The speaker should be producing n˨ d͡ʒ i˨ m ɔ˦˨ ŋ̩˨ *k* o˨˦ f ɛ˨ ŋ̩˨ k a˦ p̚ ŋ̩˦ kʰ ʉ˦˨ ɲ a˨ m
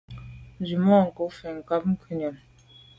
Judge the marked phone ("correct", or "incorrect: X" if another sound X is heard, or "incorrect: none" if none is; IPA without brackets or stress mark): correct